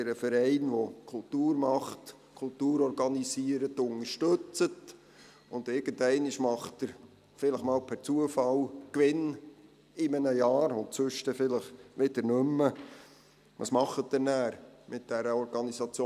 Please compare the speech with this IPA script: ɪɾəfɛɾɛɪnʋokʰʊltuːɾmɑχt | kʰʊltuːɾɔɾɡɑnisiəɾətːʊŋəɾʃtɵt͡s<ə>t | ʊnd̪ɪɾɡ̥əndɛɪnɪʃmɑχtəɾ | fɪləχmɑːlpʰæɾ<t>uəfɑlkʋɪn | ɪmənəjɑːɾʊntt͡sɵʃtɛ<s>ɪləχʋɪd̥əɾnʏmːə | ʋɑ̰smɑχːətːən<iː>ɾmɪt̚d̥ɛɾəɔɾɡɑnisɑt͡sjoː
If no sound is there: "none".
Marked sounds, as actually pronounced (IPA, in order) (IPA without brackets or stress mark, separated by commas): ə, t͡s, f, æː